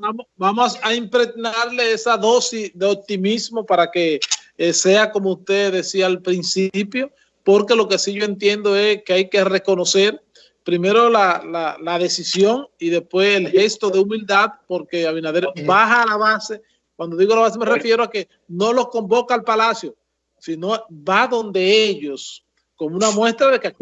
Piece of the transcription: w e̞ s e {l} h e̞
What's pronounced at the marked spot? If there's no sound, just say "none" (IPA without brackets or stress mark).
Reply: l